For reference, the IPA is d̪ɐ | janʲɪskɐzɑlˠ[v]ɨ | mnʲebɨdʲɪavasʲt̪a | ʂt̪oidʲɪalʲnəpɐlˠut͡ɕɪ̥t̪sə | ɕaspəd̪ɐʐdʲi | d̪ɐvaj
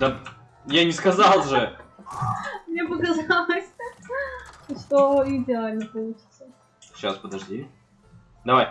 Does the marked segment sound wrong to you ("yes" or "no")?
yes